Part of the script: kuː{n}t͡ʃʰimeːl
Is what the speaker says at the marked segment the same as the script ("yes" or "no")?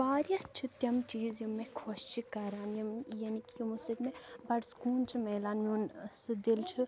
yes